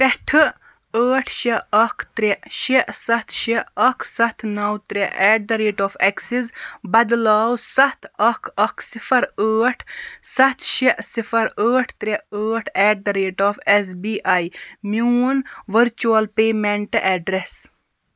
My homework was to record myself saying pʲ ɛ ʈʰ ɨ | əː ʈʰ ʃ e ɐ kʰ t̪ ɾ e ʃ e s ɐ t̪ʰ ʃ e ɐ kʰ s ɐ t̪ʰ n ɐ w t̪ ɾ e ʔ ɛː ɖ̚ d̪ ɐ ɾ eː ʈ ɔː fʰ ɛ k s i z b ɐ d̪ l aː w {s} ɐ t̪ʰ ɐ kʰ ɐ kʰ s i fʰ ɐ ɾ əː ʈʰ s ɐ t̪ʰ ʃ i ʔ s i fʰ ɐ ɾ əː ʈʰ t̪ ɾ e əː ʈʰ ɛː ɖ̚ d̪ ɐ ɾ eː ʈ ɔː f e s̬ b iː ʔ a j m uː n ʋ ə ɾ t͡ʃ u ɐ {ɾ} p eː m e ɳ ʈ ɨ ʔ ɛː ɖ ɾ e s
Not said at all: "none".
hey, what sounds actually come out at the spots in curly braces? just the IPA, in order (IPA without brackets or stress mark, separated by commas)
s, l